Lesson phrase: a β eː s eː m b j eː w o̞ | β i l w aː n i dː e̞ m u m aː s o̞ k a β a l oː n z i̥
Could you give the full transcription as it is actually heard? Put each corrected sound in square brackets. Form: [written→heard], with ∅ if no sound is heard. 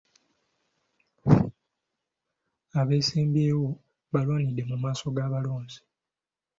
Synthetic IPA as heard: a β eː s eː m b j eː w o̞ | β [i→a] l w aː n i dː e̞ m u m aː s o̞ [k→ɡ] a β a l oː n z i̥